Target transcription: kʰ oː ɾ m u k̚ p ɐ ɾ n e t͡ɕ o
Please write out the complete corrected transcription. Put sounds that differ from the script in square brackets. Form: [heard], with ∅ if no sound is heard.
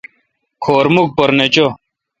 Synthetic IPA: kʰ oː ɾ m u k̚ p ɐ ɾ n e t͡ɕ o